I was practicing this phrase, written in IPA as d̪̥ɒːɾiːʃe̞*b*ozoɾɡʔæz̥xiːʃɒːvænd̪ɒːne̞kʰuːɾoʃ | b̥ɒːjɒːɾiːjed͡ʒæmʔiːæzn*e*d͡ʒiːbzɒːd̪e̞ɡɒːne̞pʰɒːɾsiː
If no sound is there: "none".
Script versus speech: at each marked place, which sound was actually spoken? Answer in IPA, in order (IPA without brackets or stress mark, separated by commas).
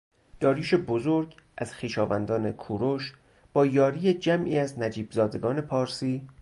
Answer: b, æ